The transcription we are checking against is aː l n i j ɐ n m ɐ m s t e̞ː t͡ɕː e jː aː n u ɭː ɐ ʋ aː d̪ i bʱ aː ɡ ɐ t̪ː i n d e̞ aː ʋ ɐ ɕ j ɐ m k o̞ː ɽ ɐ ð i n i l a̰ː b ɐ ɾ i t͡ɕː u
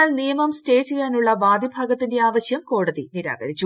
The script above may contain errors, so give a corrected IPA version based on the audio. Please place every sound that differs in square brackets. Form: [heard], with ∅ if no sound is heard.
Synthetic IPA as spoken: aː l n i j ɐ [∅] m ɐ m s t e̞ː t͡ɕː e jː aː n u ɭː ɐ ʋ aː d̪ i bʱ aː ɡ ɐ t̪ː i n d e̞ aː ʋ ɐ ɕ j ɐ m k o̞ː ɽ ɐ ð i n i [ɾ] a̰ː [ɡ] ɐ ɾ i t͡ɕː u